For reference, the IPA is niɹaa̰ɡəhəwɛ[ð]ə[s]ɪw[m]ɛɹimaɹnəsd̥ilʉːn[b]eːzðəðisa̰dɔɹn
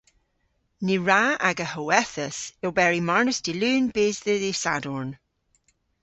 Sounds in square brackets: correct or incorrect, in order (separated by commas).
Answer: incorrect, correct, incorrect, correct